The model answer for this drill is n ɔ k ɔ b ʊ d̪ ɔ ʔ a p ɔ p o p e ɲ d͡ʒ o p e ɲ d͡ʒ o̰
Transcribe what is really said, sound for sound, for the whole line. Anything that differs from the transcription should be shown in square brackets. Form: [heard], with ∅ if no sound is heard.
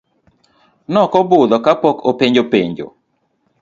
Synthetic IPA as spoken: n ɔ k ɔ b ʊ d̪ ɔ [k] a p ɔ [k] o p e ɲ d͡ʒ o p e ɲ d͡ʒ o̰